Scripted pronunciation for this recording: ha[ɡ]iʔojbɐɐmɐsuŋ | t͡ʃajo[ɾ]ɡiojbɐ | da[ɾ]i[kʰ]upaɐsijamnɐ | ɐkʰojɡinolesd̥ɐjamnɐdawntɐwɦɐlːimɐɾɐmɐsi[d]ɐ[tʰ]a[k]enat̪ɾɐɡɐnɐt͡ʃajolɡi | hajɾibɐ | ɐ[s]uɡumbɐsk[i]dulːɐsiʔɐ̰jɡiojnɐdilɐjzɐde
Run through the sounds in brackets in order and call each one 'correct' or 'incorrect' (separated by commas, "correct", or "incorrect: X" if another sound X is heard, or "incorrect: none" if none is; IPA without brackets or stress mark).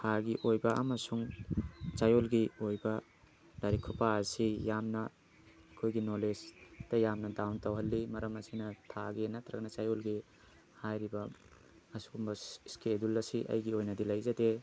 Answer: correct, incorrect: l, correct, correct, incorrect: n, correct, incorrect: ɡ, correct, incorrect: e